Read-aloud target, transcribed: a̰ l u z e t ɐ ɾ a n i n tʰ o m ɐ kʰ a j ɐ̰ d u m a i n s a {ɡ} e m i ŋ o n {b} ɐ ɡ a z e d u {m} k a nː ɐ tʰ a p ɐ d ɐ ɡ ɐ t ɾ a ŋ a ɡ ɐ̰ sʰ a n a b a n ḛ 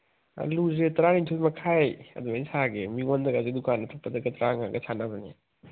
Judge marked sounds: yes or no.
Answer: yes, no, no

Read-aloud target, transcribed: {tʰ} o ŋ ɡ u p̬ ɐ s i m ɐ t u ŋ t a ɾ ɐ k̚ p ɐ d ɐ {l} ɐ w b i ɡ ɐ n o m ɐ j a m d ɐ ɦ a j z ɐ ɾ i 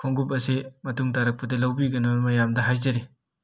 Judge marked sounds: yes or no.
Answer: no, yes

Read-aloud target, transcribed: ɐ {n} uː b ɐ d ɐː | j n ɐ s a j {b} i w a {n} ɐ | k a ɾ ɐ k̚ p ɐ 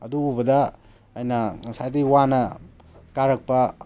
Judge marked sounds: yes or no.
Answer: no, no, yes

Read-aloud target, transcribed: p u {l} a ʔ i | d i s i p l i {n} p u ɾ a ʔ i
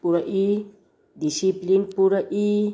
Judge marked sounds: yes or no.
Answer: no, yes

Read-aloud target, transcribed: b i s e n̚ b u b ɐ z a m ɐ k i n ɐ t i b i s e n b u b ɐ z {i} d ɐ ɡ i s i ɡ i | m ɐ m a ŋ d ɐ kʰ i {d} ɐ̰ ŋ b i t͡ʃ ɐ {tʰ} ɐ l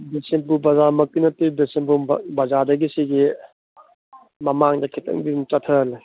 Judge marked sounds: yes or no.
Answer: no, no, yes

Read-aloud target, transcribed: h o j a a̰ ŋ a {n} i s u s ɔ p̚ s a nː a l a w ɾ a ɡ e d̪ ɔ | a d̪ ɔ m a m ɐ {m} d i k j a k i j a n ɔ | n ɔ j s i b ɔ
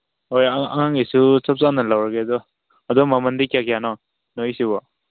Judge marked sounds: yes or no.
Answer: no, no

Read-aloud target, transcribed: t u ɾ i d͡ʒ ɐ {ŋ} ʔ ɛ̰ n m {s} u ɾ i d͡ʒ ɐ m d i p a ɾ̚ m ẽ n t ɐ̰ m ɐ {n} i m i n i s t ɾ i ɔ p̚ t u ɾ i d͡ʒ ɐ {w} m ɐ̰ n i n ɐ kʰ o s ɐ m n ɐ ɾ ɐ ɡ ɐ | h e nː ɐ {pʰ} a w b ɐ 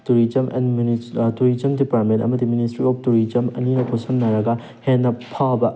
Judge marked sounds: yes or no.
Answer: no, no, no, no, yes

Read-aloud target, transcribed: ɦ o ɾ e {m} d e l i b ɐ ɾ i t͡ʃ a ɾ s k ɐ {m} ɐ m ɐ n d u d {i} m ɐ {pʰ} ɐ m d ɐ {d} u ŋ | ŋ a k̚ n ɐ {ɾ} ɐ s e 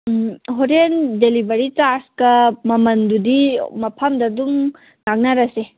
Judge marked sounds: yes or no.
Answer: no, yes, yes, yes, yes, yes

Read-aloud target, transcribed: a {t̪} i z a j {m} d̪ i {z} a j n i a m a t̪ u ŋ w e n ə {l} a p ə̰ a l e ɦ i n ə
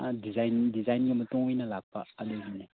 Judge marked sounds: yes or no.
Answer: no, no, yes, yes

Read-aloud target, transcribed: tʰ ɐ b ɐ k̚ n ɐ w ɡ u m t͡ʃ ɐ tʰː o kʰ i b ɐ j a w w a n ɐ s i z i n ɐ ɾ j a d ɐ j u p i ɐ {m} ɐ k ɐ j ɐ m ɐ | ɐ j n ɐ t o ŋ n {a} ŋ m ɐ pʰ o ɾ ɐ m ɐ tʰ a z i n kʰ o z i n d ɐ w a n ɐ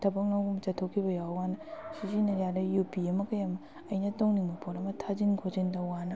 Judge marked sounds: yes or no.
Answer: yes, no

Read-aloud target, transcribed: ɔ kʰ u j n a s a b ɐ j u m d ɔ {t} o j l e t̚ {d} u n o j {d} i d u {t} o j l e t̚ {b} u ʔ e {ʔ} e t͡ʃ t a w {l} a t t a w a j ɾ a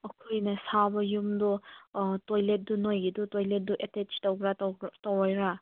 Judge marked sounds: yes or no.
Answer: yes, yes, no, yes, no, no, no

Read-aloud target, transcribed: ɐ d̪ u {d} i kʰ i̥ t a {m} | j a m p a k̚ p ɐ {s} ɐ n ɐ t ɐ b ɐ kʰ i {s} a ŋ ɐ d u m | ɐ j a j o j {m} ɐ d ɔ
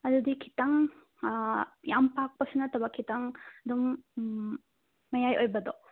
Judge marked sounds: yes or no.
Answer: yes, no, yes, no, no

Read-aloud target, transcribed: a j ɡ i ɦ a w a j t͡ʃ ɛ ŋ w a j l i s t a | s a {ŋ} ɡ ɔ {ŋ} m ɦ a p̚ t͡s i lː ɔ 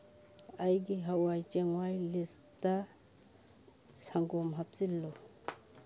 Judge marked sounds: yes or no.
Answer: yes, no

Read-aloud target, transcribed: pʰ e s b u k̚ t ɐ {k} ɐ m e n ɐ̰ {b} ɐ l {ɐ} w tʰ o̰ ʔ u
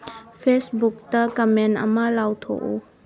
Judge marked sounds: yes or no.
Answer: yes, no, no

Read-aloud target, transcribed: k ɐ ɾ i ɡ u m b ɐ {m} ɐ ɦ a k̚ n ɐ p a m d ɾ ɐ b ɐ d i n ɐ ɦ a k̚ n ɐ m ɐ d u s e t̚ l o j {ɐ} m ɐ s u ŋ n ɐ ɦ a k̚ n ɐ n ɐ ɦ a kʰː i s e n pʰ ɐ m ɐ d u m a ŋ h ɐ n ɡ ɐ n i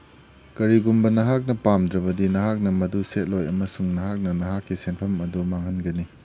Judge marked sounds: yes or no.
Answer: no, yes

